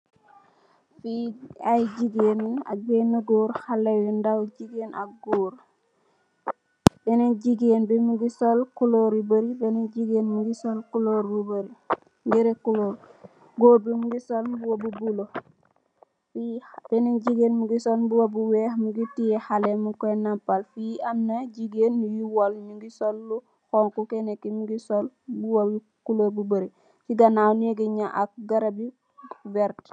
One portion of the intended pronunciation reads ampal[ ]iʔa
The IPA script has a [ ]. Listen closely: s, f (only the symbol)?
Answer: f